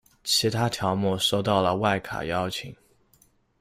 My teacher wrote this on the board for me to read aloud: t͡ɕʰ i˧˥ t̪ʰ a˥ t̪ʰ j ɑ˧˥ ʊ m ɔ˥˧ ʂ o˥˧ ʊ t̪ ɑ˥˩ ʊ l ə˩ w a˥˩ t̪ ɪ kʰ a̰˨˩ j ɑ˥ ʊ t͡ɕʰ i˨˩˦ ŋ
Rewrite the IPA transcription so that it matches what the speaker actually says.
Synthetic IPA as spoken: t͡ɕʰ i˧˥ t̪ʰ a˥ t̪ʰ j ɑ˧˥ ʊ m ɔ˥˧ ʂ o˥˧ ʊ t̪ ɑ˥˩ ʊ l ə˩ w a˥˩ ɪ kʰ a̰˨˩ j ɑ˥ ʊ t͡ɕʰ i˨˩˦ ŋ

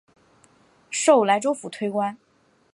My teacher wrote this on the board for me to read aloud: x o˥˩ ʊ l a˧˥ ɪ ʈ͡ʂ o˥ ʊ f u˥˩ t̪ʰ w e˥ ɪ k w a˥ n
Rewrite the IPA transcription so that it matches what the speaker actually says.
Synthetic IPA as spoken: ʂ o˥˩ ʊ l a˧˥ ɪ ʈ͡ʂ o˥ ʊ f u˨˩ t̪ʰ w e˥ ɪ k w a˥ n

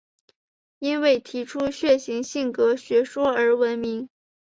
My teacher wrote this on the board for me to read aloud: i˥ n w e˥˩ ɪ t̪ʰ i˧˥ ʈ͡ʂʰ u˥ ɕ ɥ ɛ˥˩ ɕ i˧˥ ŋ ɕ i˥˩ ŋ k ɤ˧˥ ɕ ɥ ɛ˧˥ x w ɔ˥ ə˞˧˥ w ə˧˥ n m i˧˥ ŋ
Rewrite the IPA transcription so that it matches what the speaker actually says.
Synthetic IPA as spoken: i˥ n w e˥˩ ɪ t̪ʰ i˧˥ ʈ͡ʂʰ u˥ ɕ ɥ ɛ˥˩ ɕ i˧˥ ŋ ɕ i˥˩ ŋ k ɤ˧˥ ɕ ɥ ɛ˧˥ ʂ w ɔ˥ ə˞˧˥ w ə˧˥ n m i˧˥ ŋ

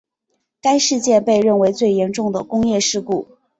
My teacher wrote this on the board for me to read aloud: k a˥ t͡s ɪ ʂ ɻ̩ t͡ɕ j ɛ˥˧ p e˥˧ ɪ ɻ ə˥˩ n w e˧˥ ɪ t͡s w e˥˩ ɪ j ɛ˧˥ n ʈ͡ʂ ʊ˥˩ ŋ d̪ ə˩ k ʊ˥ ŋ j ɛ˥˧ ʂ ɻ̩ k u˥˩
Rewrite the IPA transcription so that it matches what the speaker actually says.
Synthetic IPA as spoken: k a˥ ɪ ʂ ɻ̩ t͡ɕ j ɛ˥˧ p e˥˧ ɪ ɻ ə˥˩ n w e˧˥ ɪ t͡s w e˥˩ ɪ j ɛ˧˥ n ʈ͡ʂ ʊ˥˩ ŋ d̪ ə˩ k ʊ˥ ŋ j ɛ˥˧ ʂ ɻ̩ k u˥˩

